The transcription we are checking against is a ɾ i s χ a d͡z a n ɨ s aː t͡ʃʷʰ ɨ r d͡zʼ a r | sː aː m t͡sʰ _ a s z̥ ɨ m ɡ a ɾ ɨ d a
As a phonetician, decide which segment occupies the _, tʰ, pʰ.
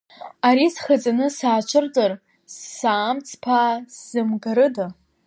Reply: pʰ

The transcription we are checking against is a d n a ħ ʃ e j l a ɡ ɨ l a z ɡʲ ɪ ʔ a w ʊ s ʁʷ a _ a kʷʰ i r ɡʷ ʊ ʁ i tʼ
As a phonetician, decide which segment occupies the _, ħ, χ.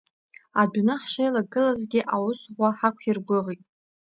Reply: ħ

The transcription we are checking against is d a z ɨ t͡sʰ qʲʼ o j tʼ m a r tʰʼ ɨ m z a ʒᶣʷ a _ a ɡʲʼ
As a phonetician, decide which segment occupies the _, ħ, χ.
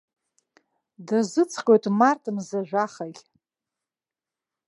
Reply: χ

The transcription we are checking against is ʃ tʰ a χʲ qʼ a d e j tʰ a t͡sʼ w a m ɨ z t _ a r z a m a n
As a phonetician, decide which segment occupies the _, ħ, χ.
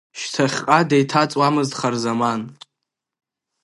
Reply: χ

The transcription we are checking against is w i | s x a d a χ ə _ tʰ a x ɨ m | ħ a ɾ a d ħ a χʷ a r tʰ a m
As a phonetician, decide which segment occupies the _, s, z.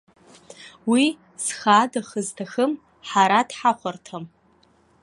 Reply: z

